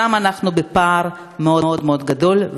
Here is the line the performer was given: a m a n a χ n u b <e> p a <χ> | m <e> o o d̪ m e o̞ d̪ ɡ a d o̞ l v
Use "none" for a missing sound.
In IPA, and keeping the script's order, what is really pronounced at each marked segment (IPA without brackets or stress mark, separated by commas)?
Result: e, ʁ, e